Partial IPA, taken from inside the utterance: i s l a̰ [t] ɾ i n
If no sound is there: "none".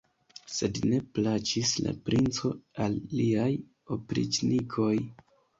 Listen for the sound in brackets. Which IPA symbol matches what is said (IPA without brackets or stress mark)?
p